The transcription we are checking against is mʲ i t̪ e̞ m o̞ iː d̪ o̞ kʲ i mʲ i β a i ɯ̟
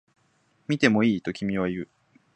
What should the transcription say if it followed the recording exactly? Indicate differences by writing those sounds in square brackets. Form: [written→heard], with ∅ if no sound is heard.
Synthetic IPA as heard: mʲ i t̪ e̞ m o̞ iː [d̪→t̪] o̞ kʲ i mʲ i β a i ɯ̟